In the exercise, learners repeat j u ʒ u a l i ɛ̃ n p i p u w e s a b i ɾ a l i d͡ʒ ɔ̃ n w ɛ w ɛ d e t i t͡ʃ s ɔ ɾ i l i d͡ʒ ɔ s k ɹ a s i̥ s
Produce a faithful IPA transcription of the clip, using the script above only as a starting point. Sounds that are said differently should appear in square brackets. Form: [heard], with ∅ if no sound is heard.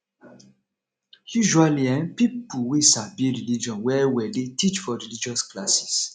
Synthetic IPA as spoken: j u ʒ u a l i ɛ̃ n p i p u w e s a b i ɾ [i] l i d͡ʒ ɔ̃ n w ɛ w ɛ d e t i t͡ʃ [f] ɔ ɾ i l i d͡ʒ ɔ s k [l] a s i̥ s